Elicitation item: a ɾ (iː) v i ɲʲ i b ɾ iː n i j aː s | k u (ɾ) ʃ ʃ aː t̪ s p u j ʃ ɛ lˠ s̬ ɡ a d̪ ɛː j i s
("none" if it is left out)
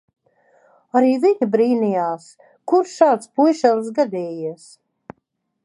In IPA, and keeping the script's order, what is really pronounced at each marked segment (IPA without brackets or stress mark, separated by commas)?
iː, ɾ